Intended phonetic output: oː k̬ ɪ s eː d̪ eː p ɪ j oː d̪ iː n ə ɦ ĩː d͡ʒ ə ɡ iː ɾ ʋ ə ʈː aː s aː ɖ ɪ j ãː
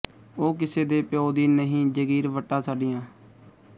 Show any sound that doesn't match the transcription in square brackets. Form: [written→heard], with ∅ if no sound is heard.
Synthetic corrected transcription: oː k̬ ɪ s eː d̪ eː p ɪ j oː d̪ iː n ə ɦ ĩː d͡ʒ ə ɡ iː ɾ ʋ ə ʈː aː s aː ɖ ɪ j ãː